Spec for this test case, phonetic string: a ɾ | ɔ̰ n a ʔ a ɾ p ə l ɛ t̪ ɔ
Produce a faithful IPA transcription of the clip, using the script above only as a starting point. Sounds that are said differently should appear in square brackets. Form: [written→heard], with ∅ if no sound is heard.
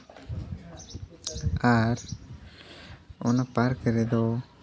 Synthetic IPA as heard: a ɾ | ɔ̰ n a [ʔ→p] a ɾ [p→k] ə [l→ɾ] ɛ [t̪→d̪] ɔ